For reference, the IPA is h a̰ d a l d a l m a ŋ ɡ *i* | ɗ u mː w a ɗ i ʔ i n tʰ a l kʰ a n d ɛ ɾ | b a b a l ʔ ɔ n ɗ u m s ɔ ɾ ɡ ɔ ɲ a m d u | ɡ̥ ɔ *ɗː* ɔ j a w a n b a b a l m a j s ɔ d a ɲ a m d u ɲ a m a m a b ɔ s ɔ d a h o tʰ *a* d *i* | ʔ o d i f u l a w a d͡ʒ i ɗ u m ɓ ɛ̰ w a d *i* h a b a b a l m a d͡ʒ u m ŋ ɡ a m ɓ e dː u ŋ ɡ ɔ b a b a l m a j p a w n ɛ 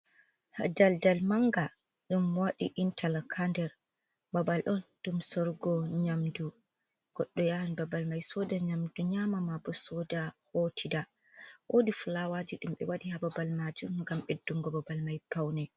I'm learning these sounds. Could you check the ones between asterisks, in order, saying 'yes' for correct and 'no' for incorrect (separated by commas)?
no, yes, no, no, yes